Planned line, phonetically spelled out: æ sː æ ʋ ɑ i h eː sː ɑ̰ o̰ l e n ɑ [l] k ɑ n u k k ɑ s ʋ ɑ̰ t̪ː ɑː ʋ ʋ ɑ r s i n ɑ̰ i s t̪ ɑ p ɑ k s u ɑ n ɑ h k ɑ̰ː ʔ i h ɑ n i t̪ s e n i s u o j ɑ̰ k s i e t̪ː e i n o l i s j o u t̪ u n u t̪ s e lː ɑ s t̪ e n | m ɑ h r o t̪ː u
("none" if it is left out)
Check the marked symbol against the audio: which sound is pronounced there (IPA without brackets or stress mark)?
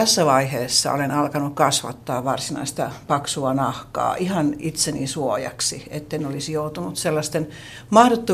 l